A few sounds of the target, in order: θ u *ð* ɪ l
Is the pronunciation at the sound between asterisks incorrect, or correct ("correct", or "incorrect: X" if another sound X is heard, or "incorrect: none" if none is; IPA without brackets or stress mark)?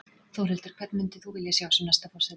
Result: incorrect: v